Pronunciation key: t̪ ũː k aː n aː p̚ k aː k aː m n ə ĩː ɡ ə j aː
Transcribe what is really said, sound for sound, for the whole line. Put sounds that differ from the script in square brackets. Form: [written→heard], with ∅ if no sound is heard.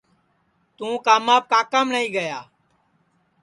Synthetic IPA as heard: t̪ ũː k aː [n→m] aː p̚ k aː k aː m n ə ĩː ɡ ə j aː